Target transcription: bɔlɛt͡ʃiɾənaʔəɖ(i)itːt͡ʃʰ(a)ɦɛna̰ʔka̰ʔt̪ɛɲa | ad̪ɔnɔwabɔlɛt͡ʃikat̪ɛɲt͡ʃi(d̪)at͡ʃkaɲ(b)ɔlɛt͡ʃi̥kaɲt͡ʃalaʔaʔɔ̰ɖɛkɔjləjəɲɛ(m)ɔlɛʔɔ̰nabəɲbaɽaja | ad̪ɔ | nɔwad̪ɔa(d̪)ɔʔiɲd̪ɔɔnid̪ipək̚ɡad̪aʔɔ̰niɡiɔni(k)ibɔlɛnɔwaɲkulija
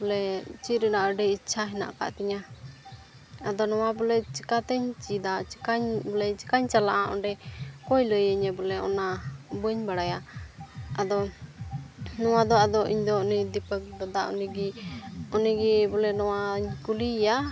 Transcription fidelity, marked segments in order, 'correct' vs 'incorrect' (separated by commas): incorrect, correct, correct, correct, incorrect, correct, incorrect